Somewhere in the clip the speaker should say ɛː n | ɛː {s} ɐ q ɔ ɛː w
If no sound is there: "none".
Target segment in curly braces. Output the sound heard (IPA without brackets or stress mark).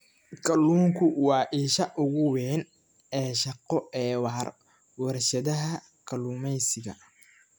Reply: ʃ